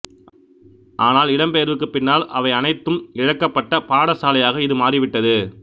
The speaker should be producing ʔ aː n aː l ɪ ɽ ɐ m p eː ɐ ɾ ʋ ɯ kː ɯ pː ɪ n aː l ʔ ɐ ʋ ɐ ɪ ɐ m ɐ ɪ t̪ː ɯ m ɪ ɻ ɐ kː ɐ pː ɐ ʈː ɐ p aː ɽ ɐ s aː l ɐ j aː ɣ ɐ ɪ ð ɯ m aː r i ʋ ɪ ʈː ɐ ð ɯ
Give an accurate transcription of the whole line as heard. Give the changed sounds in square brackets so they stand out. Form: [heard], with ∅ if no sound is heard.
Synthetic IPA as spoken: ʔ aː n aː l ɪ ɽ ɐ m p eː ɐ ɾ ʋ ɯ kː ɯ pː ɪ [nː] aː l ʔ ɐ ʋ ɐ ɪ ɐ [n] ɐ ɪ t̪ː ɯ m ɪ ɻ ɐ kː ɐ pː ɐ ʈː ɐ p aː ɽ ɐ s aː l ɐ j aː ɣ ɐ ɪ ð ɯ m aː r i ʋ ɪ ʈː ɐ ð ɯ